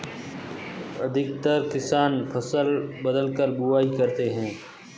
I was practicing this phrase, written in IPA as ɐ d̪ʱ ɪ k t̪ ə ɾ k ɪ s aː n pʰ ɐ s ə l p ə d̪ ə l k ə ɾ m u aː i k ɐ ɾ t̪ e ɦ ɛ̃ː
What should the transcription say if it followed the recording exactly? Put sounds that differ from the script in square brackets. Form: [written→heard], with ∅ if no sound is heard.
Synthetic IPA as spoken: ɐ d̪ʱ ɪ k t̪ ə ɾ k ɪ s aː n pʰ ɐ s ə l [p→b] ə d̪ ə l k ə ɾ [m→b] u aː i k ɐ ɾ t̪ e ɦ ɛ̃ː